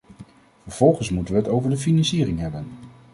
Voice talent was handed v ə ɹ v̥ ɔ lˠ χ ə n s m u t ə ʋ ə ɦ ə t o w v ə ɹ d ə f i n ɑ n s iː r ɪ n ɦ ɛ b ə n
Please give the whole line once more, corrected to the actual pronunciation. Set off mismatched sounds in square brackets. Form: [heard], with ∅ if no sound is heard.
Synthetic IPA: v ə ɹ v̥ ɔ lˠ χ ə n s m u t ə ʋ ə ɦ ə t o w v ə ɹ d ə f i n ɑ n s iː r ɪ [ŋ] ɦ ɛ b ə n